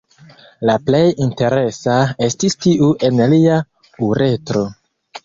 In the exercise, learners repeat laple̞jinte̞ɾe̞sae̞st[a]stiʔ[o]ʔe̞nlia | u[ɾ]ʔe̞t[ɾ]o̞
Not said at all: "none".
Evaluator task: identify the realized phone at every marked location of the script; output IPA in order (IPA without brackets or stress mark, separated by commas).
i, u, ɾ, ɾ